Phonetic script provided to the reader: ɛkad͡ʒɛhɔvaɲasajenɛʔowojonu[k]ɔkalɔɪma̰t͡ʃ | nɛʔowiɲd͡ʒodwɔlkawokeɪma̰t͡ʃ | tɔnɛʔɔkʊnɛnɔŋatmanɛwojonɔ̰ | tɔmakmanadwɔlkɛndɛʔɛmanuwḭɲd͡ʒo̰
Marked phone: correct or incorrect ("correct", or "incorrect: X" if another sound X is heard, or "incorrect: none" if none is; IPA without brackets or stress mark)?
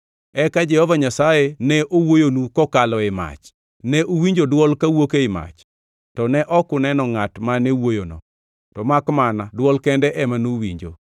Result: correct